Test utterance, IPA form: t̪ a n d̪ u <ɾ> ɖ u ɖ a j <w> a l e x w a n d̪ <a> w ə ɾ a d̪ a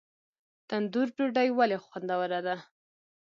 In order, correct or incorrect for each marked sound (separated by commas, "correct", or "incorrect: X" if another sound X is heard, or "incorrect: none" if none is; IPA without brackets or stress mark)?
correct, correct, correct